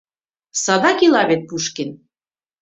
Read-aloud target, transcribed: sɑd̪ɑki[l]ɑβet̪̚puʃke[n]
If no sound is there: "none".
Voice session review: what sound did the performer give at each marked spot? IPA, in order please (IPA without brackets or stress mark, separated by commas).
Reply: l, n